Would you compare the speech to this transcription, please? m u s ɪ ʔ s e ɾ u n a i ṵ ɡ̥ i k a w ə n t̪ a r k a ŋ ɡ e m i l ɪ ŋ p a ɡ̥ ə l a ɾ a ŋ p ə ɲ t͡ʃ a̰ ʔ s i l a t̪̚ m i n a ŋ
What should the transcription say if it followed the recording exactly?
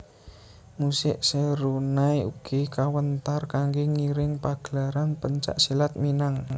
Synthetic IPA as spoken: m u s ɪ ʔ s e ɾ u n a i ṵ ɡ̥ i k a w ə n t̪ a r k a ŋ ɡ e ŋ i ɾ ɪ ŋ p a ɡ̥ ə l a ɾ a n p ə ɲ t͡ʃ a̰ ʔ s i l a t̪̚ m i n a ŋ